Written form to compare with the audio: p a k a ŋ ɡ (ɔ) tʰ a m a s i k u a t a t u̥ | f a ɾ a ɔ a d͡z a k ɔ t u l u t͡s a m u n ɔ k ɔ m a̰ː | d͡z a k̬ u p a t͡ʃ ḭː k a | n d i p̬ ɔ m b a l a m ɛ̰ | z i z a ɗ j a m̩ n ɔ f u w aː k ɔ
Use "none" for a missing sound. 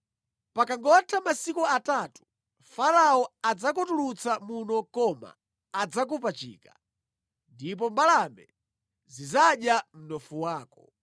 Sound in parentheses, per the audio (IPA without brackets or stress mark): ɔ